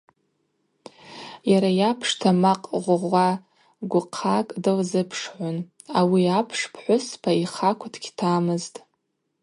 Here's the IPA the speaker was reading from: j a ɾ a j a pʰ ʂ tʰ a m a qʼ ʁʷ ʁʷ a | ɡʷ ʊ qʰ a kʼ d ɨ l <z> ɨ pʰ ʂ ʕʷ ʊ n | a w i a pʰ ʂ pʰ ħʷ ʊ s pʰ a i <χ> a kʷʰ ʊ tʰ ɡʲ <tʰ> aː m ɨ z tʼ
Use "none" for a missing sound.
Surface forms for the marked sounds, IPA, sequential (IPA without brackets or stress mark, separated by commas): z, χ, tʰ